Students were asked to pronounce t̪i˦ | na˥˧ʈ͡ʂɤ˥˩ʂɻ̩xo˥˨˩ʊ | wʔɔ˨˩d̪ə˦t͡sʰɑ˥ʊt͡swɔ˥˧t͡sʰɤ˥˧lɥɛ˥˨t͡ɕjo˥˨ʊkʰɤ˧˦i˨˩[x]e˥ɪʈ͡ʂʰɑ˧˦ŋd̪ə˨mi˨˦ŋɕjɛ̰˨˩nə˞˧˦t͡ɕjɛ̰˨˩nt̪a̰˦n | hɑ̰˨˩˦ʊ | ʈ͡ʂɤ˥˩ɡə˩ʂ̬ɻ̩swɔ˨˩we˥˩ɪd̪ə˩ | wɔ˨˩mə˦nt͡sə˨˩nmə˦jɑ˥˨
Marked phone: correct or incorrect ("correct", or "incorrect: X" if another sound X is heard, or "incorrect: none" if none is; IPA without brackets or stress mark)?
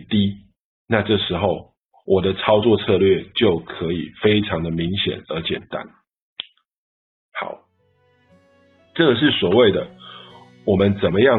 incorrect: f